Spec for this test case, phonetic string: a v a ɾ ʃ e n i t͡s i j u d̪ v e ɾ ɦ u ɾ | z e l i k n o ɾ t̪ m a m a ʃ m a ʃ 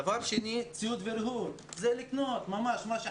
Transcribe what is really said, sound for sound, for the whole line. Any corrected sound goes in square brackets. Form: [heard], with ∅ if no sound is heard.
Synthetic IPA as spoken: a v a ɾ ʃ e n i t͡s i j u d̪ v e ɾ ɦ u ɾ | z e l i k n o [∅] t̪ m a m a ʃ m a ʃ